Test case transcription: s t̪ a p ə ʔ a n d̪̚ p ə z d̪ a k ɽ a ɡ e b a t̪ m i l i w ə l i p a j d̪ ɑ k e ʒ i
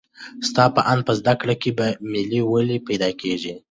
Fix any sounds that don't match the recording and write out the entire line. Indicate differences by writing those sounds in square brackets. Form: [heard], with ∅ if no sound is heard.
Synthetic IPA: s t̪ [ɑ] p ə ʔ a n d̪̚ p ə z d̪ a k ɽ a [k] e b a [∅] m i l i w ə l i p a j d̪ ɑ k e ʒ i